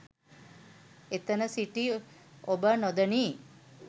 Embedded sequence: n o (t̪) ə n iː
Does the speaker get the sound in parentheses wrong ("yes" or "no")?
yes